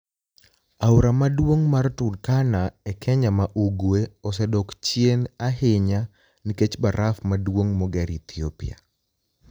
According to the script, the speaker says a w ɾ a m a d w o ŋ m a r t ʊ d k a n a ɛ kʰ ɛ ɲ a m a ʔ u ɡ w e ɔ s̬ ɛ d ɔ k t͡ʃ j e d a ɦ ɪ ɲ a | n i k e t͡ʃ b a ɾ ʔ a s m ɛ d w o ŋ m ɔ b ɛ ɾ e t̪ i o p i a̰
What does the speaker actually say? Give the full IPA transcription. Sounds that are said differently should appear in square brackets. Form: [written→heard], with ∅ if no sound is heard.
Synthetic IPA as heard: a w ɾ a m a d w o ŋ m a r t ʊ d k a n a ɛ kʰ ɛ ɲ a m a ʔ u ɡ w e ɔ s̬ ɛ d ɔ k t͡ʃ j e [d→n] a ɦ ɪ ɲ a | n i k e t͡ʃ b a ɾ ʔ a [s→f] m [ɛ→a] d w o ŋ m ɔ [b→ɡ] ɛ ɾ [e→i] t̪ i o p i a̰